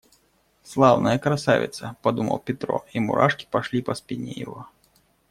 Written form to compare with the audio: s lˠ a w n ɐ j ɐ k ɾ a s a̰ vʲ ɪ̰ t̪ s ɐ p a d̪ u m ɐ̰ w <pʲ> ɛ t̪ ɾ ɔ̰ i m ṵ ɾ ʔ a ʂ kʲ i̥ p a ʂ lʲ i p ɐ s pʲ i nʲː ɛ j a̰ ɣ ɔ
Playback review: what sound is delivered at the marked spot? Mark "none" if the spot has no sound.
pʲ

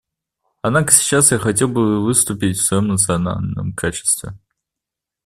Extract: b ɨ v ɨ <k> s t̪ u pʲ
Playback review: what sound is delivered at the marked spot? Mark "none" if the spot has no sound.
none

